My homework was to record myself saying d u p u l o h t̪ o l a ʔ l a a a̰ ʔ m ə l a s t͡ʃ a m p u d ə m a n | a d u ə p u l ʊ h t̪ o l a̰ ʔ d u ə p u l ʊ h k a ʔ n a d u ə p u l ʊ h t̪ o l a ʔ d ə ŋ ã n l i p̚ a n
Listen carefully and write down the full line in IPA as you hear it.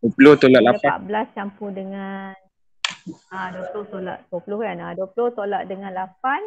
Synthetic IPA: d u p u l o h t̪ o l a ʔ l a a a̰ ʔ b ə l a s t͡ʃ a m p u d ə ŋ a n | a d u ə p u l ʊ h t̪ o l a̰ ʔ d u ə p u l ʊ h k a n a d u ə p u l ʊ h t̪ o l a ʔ d ə ŋ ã n l a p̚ a n